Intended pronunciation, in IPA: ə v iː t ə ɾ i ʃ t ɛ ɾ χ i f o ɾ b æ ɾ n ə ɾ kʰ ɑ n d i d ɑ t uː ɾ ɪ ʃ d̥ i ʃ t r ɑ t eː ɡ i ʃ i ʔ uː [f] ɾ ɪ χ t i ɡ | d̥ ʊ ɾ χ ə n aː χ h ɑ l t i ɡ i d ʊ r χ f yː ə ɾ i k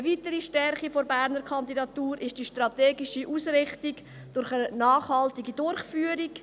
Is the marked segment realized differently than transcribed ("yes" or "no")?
yes